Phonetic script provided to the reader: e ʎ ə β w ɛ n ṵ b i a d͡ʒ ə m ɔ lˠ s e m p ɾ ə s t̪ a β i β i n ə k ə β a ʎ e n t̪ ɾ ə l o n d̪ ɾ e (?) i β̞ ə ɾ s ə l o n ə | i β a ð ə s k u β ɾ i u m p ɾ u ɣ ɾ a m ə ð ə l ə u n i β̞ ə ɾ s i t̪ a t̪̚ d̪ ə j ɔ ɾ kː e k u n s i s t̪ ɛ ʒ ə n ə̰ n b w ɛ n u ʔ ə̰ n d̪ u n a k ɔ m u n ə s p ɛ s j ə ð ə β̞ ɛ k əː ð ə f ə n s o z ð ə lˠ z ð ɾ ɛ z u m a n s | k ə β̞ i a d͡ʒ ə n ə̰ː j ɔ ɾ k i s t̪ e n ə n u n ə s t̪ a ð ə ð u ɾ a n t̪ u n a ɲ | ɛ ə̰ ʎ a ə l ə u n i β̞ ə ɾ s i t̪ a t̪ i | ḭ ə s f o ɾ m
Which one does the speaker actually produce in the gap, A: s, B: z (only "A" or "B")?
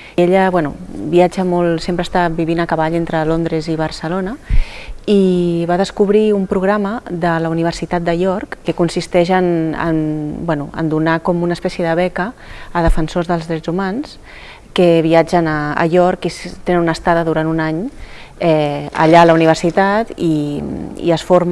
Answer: B